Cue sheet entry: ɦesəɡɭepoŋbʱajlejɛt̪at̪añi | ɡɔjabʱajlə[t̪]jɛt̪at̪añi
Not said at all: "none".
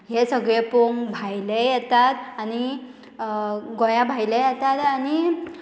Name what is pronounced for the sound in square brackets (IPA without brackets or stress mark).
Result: none